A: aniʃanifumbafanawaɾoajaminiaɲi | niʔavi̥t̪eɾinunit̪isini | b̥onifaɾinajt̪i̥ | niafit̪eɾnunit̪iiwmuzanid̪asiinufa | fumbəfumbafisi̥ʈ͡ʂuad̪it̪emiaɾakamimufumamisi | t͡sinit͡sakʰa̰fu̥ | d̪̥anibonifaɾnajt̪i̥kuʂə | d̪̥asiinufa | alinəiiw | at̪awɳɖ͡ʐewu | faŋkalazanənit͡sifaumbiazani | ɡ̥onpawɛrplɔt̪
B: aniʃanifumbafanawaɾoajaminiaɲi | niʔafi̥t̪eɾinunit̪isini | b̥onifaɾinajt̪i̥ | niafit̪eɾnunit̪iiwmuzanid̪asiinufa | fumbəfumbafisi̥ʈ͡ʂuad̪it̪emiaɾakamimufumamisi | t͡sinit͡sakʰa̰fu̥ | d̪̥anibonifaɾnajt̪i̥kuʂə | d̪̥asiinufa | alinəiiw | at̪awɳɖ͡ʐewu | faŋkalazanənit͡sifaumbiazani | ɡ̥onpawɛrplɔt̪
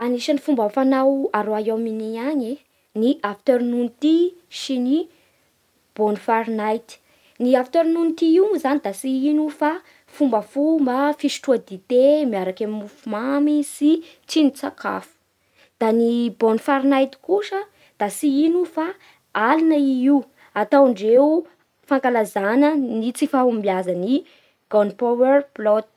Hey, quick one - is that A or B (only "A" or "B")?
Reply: B